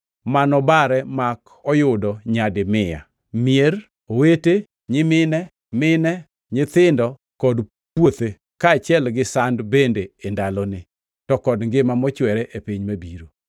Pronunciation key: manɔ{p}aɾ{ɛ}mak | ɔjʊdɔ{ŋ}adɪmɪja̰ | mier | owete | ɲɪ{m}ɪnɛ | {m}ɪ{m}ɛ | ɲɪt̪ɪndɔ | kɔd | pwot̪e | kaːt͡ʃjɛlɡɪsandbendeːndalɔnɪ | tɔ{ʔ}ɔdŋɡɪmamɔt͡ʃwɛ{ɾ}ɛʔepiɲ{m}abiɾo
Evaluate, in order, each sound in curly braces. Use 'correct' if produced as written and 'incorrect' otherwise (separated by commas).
incorrect, correct, incorrect, correct, correct, incorrect, incorrect, correct, correct